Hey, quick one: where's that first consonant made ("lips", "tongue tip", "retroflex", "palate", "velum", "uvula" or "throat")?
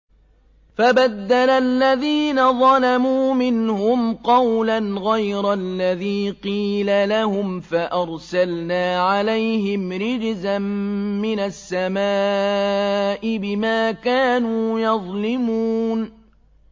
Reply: lips